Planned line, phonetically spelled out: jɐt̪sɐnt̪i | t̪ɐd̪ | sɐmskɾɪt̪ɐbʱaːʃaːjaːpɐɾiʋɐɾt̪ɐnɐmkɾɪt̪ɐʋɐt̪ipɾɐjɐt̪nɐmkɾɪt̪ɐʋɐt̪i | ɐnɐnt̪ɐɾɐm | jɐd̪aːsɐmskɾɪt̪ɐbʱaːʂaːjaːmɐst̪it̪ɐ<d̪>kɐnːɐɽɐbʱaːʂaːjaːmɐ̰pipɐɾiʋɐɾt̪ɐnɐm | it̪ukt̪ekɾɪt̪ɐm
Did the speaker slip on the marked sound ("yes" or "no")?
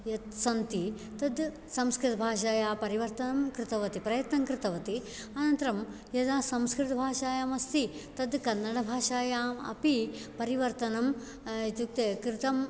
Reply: no